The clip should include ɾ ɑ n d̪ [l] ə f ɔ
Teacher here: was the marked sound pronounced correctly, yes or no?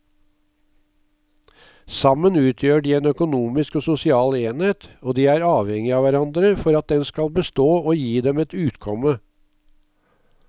no